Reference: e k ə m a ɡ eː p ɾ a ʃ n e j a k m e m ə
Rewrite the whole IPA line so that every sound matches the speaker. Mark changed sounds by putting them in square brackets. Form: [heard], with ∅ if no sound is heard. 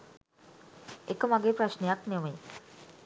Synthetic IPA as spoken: e k ə m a ɡ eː p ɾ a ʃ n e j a k [n] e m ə